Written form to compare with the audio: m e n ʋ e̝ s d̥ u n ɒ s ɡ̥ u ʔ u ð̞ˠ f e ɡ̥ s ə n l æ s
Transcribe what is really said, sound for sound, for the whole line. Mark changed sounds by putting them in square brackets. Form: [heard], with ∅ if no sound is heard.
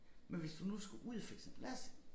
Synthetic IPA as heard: m e n ʋ e̝ s d̥ u n [u] s ɡ̥ u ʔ u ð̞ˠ f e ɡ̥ s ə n l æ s